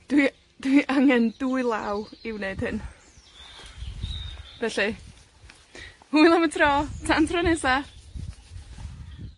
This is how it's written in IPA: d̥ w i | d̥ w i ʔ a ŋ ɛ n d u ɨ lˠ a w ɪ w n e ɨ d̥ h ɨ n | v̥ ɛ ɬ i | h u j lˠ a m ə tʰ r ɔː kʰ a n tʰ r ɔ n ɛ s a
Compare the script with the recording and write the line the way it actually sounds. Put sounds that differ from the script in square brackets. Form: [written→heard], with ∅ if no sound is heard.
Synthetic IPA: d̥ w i | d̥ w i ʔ a ŋ ɛ n d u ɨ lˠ a w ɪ w n e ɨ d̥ h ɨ n | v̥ ɛ ɬ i | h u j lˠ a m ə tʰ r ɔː [kʰ→tʰ] a n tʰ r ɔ n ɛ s a